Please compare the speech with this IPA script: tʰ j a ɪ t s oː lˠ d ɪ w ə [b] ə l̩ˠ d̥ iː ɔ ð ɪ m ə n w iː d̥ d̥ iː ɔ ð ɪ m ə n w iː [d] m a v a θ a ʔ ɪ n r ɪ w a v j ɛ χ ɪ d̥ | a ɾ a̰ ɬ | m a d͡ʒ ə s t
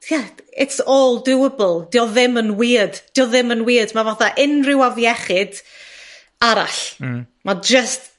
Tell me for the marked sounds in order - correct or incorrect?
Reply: correct, correct

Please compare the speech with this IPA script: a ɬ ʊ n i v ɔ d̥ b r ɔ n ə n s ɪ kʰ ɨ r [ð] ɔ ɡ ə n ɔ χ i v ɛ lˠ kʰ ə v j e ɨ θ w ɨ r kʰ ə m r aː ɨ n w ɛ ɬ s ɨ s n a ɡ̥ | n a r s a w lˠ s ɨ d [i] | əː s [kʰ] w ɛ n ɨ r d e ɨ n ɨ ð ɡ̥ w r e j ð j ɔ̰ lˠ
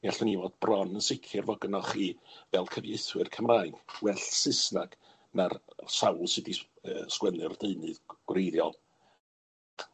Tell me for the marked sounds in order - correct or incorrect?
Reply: incorrect, correct, incorrect

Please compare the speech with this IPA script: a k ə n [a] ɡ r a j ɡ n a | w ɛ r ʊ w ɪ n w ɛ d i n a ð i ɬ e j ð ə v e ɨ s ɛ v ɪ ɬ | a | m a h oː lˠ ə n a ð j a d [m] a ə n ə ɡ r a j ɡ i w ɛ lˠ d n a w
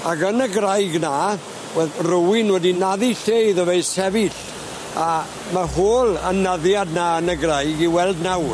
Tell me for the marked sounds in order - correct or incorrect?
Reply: incorrect, incorrect

